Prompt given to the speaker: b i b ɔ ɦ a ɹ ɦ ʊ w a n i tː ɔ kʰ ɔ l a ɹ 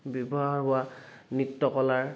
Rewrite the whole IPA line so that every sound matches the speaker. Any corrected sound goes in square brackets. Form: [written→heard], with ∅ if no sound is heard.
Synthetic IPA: b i b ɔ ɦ a ɹ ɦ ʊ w a n i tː ɔ [kʰ→k] ɔ l a ɹ